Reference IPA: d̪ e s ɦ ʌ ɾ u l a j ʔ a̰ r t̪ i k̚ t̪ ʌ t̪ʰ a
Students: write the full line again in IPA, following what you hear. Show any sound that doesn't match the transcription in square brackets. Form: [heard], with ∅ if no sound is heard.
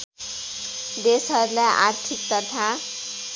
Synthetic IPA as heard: d̪ e s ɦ ʌ ɾ u l a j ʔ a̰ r [t̪ʰ] i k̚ t̪ ʌ t̪ʰ a